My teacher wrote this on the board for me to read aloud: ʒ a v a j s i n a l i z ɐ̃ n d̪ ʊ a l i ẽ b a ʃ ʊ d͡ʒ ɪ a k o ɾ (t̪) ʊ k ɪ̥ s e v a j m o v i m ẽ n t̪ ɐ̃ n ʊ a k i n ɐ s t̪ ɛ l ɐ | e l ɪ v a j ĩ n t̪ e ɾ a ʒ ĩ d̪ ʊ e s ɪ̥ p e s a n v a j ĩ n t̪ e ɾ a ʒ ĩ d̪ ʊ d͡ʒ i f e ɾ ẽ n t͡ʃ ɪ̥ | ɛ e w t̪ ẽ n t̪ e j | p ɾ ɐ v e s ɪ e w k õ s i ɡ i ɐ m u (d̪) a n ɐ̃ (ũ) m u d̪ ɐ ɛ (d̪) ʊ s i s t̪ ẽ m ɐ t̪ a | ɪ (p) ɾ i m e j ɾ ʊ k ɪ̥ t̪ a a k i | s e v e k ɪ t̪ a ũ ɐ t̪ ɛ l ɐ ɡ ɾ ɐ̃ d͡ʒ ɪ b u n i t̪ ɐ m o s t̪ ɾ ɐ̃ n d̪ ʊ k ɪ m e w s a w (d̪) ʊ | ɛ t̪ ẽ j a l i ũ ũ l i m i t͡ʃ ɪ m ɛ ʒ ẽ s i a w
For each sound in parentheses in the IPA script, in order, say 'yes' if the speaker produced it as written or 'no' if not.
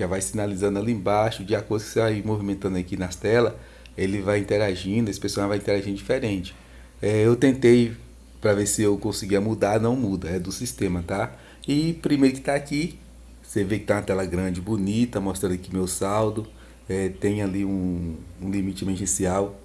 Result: no, yes, no, yes, yes, yes

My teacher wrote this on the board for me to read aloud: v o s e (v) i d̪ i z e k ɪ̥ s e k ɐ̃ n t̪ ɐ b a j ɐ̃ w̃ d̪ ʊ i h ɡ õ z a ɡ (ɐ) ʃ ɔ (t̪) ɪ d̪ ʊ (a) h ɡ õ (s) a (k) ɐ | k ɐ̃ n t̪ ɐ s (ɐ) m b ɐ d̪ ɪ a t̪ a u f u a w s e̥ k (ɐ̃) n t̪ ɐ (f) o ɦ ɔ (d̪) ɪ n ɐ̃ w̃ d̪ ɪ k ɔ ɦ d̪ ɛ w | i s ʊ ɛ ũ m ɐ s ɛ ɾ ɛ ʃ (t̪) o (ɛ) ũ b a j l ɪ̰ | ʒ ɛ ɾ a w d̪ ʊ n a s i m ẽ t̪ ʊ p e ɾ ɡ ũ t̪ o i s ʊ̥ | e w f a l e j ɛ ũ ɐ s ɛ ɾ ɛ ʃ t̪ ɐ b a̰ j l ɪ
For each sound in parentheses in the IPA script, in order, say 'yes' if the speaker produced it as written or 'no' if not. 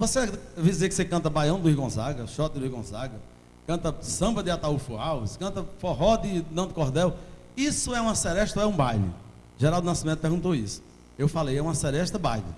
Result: yes, yes, yes, no, no, no, no, yes, yes, yes, yes, yes

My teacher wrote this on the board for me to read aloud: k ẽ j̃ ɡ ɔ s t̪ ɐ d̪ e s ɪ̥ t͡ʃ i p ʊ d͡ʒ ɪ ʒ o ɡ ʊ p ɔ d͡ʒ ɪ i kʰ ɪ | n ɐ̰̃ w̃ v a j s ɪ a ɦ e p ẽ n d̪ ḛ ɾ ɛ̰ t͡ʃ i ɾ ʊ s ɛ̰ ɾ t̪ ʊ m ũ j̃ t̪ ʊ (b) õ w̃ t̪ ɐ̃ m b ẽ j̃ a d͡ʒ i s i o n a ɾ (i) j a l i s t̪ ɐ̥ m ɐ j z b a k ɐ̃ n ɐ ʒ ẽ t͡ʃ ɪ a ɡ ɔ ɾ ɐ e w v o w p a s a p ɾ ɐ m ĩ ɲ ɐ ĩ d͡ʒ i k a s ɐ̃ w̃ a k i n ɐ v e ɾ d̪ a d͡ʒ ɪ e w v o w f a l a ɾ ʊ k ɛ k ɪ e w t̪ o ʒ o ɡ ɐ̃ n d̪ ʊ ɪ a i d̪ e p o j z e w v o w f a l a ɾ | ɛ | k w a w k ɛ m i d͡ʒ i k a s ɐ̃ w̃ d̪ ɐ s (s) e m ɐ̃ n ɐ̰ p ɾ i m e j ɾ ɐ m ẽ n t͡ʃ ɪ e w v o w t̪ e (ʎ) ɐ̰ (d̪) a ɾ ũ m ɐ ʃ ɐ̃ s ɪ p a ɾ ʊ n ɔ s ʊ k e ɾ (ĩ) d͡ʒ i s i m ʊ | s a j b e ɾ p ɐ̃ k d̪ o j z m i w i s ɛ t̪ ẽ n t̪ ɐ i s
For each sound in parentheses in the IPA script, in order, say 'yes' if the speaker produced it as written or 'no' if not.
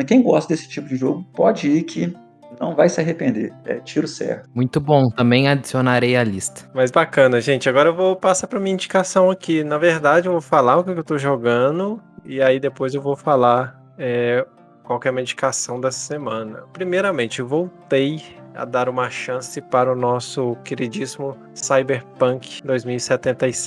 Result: yes, no, yes, no, yes, no

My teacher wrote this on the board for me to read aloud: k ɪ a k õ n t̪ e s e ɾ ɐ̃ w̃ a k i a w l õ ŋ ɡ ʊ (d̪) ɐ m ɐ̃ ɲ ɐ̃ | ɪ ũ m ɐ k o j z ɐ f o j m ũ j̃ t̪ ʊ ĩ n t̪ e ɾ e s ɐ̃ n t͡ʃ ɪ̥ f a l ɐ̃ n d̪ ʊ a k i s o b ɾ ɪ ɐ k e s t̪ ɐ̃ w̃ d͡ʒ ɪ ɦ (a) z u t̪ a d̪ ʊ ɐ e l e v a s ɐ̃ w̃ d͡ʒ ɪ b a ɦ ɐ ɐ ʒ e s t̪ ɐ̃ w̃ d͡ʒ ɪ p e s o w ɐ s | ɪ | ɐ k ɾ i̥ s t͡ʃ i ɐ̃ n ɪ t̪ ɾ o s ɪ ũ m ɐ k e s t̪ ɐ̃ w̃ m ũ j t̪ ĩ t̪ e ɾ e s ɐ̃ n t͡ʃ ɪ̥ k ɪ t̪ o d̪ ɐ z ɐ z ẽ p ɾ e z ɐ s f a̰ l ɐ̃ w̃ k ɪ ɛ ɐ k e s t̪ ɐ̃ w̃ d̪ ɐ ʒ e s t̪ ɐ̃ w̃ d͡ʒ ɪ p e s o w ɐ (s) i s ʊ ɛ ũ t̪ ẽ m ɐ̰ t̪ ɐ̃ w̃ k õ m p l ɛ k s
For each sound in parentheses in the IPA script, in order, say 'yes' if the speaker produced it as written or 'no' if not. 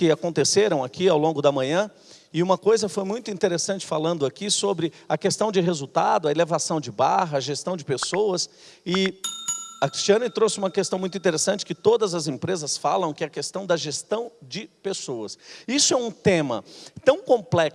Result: yes, no, yes

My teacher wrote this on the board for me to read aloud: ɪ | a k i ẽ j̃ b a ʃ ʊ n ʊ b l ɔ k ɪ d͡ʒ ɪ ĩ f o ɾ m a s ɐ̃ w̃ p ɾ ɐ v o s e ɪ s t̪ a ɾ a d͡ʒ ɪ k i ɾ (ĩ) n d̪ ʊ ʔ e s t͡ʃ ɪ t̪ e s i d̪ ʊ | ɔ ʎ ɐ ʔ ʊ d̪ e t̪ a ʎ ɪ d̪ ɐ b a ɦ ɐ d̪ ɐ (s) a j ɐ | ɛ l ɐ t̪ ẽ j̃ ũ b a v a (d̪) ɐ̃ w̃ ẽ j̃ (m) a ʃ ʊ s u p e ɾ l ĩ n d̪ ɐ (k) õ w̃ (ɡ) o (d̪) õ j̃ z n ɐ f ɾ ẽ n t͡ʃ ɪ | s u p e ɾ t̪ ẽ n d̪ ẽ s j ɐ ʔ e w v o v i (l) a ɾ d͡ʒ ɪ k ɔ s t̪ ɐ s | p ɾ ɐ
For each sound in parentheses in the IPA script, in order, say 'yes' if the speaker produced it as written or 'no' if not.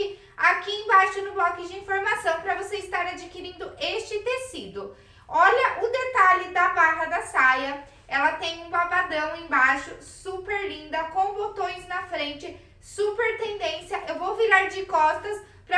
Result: yes, yes, yes, no, yes, no, no, no

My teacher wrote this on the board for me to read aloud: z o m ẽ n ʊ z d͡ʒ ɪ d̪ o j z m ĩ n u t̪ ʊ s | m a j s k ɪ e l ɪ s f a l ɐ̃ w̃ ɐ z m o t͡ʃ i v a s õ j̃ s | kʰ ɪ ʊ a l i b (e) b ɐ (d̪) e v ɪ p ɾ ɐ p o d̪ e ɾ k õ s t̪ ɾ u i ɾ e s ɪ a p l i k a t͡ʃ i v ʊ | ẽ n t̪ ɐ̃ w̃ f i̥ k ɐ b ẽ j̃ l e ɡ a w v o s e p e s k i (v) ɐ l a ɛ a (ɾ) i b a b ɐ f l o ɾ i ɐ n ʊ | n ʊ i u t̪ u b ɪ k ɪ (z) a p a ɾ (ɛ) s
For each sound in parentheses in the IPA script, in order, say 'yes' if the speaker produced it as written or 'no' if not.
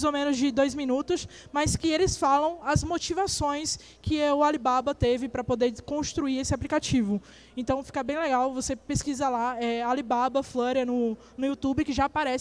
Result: no, no, no, no, no, yes

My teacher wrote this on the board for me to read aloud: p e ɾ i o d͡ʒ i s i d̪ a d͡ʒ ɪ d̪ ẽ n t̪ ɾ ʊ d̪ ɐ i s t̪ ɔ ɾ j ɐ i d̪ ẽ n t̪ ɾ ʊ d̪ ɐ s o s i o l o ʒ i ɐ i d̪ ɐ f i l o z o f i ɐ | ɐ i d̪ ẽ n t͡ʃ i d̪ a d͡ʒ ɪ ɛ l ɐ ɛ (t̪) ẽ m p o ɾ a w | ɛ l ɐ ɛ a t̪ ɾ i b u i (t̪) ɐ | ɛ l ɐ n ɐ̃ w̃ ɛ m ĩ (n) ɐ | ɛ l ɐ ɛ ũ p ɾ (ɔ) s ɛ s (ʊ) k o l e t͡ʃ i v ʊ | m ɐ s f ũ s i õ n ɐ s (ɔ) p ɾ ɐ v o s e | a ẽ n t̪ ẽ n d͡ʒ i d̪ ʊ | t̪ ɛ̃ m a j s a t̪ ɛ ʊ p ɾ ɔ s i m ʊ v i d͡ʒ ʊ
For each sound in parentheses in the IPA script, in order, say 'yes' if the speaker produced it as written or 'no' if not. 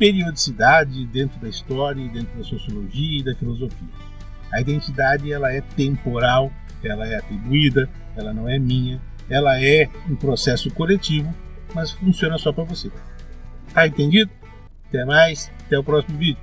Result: yes, no, no, no, yes, yes

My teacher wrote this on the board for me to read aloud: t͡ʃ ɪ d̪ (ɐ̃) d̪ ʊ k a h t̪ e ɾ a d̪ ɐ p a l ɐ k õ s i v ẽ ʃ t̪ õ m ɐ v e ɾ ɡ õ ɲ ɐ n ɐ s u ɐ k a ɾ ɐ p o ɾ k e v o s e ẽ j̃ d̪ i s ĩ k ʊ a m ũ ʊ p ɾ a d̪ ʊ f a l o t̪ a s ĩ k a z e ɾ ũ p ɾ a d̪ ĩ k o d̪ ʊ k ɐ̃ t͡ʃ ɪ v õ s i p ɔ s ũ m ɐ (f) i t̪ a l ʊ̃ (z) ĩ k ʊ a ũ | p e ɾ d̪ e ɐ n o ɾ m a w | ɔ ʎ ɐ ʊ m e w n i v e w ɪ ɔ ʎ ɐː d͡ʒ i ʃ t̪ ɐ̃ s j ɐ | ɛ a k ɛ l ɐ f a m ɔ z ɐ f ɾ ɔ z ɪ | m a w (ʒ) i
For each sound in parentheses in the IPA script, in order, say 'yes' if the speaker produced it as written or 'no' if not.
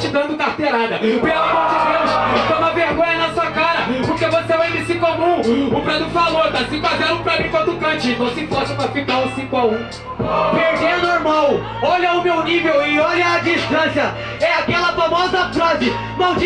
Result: yes, yes, no, no

